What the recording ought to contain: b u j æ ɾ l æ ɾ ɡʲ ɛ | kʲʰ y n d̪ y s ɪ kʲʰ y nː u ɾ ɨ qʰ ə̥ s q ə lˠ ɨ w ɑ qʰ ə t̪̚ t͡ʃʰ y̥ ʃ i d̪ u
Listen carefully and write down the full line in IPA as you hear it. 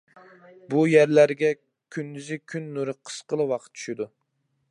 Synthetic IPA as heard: b u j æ ɾ l æ ɾ ɡʲ ɛ | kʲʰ y n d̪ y z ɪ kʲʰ y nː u ɾ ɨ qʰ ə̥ s q ə lˠ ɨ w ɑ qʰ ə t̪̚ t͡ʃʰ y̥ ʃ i d̪ u